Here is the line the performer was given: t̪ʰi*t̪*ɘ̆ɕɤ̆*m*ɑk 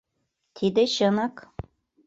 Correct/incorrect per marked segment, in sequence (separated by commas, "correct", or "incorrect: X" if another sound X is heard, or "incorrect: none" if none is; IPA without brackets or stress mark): incorrect: d̪, incorrect: n